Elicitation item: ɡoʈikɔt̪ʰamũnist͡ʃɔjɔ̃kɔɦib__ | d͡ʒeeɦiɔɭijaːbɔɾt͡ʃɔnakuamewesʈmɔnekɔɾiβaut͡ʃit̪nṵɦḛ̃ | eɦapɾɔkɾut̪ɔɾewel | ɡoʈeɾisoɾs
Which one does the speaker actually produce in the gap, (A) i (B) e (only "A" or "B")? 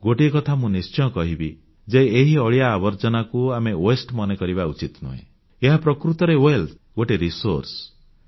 A